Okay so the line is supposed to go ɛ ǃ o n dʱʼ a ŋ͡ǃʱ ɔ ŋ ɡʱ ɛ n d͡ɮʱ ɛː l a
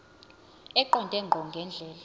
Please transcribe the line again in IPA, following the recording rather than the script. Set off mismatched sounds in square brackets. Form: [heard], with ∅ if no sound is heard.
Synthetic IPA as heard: ɛ ǃ [ɔ] n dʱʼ [ɛ] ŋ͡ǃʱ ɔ ŋ ɡʱ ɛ n d͡ɮʱ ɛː l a